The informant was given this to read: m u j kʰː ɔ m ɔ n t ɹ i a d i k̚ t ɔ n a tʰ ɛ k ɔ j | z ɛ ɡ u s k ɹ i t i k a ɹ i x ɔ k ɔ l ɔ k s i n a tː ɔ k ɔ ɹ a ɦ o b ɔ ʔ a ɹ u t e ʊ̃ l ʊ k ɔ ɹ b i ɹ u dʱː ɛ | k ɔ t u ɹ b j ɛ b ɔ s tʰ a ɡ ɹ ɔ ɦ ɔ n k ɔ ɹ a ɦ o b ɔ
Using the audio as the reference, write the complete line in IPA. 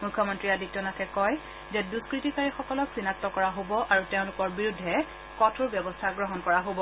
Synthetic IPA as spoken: m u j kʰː ɔ m ɔ n t ɹ i a d i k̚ t ɔ n a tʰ ɛ k ɔ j | z ɛ d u s k ɹ i t i k a ɹ i x ɔ k ɔ l ɔ k s i n a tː ɔ k ɔ ɹ a ɦ o b ɔ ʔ a ɹ u t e ʊ̃ l ʊ k ɔ ɹ b i ɹ u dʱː ɛ | k ɔ tʰ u ɹ b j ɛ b ɔ s tʰ a ɡ ɹ ɔ ɦ ɔ n k ɔ ɹ a ɦ o b ɔ